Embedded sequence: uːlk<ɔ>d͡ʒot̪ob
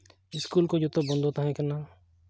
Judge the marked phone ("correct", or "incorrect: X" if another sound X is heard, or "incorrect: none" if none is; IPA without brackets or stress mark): incorrect: o